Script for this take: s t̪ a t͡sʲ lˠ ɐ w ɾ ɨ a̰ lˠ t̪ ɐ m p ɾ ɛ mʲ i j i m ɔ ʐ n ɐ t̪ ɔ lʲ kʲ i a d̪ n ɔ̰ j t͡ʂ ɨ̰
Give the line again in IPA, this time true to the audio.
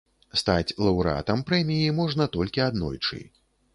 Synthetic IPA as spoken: s t̪ a t͡sʲ lˠ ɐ w ɾ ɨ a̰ t̪ ɐ m p ɾ ɛ mʲ i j i m ɔ ʐ n ɐ t̪ ɔ lʲ kʲ i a d̪ n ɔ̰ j t͡ʂ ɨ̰